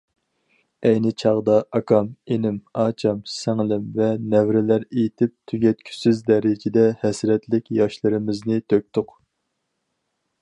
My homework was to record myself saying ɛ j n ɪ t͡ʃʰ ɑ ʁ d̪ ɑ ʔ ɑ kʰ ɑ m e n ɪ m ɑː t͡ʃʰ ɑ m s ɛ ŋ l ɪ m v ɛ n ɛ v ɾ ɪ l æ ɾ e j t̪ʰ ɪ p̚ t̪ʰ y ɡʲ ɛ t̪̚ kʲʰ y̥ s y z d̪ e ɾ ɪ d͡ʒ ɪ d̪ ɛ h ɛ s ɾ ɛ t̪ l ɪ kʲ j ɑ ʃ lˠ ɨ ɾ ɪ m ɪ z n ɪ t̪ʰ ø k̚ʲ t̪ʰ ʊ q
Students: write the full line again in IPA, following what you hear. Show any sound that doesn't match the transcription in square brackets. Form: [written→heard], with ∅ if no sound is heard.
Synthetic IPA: ɛ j n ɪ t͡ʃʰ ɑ ʁ d̪ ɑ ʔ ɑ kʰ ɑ m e n ɪ m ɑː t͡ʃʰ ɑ m s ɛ ŋ l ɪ m v ɛ n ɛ v ɾ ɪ l æ ɾ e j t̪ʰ ɪ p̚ t̪ʰ y ɡʲ ɛ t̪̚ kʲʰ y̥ s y z d̪ [e→ɛ] ɾ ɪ d͡ʒ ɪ d̪ ɛ h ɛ s ɾ ɛ t̪ l ɪ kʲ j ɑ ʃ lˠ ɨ ɾ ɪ m ɪ z n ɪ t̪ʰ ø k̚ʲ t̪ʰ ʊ q